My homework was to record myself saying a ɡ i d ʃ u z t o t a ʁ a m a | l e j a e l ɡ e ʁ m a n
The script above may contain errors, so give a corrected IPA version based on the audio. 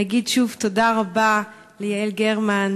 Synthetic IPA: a ɡ i d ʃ u v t o d a ʁ a b a | l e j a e l ɡ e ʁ m a n

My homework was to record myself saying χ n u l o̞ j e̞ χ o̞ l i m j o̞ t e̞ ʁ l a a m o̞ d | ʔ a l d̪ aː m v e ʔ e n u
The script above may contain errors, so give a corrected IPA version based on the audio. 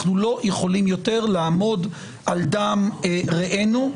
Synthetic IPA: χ n u l o̞ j e̞ χ o̞ l i m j o̞ t e̞ ʁ l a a m o̞ d | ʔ a l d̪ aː m ʁ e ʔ e n u

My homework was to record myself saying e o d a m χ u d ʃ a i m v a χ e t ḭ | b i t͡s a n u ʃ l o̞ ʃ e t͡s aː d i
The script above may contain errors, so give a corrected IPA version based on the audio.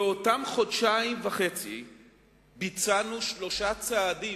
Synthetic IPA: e o t a m χ o d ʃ a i m v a χ e t͡s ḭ | b i t͡s a n u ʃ l o̞ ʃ a t͡s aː d i

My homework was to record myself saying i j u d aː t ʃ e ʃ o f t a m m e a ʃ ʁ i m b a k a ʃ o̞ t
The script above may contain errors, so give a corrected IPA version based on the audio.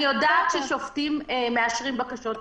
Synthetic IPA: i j o d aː t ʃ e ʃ o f t i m m e a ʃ ʁ i m b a k a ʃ o̞ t

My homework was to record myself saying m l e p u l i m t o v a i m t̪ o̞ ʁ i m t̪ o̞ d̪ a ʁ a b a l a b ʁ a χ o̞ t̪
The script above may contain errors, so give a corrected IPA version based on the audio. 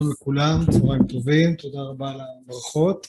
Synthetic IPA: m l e k u l a m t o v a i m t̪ o̞ v i m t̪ o̞ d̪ a ʁ a b a l a b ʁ a χ o̞ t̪

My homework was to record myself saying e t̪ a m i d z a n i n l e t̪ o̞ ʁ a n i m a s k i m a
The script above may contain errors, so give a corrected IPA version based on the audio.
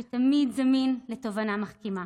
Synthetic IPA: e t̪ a m i d z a m i n l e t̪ o̞ v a n a m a χ k i m a

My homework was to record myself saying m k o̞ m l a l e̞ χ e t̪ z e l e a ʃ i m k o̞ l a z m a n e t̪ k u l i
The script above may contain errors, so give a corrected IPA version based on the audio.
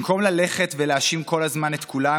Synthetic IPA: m k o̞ m l a l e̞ χ e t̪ v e l e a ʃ i m k o̞ l a z m a n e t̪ k u l a

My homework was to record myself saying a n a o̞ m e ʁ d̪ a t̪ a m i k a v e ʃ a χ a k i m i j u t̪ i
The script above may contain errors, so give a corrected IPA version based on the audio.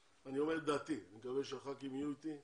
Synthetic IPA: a n i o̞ m e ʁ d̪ a t̪ i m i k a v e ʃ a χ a k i m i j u t̪ i

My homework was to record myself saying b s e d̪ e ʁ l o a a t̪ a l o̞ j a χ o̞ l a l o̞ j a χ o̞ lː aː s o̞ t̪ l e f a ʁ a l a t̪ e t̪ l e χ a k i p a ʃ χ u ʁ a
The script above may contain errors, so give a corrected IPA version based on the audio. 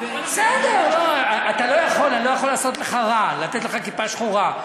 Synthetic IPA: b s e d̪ e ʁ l o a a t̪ a l o̞ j a χ o̞ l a l o̞ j a χ o̞ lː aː s o̞ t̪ l e χ a ʁ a l a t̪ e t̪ l e χ a k i p a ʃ χ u ʁ a

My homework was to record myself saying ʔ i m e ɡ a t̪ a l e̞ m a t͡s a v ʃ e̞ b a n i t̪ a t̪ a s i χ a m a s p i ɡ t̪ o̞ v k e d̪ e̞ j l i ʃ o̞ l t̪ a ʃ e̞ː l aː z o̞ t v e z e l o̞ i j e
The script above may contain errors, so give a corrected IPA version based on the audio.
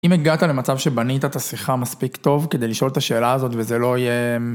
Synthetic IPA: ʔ i m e ɡ a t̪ a l e̞ m a t͡s a v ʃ e̞ b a n i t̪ a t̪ a s i χ a m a s p i k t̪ o̞ v k e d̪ e̞ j l i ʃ o̞ l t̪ a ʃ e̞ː l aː z o̞ t v e z e l o̞ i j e

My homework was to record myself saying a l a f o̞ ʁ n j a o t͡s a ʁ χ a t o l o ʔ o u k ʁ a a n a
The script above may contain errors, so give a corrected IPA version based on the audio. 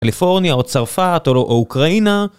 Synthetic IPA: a l i f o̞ ʁ n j a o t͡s a ʁ f a t o l o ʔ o u k ʁ a i n a

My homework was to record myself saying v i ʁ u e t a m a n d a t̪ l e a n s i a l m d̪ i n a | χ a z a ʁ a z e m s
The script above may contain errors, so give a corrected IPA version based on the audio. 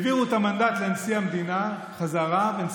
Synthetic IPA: v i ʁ u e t a m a n d a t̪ l e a n s i a m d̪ i n a | χ a z a ʁ a v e n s

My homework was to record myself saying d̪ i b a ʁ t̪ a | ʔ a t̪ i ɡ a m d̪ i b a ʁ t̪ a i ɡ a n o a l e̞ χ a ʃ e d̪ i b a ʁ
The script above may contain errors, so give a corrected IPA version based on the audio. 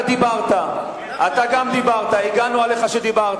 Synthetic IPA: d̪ i b a ʁ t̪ a | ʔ a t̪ a ɡ a m d̪ i b a ʁ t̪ a i ɡ a n u a l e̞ χ a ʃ e d̪ i b a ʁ

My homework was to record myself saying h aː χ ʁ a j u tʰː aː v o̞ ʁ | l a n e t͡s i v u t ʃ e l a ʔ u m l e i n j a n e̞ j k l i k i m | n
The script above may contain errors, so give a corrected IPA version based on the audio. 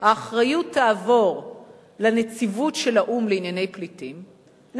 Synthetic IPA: h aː χ ʁ a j u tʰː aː v o̞ ʁ | l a n e t͡s i v u t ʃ e l a ʔ u m l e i n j a n e̞ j p l i t i m | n

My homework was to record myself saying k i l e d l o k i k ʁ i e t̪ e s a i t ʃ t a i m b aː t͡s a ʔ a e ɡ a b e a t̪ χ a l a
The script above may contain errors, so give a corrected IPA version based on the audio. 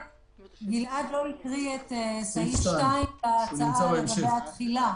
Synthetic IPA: ɡ i l a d l o i k ʁ i e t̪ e s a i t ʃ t a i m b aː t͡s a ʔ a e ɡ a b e a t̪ χ i l a

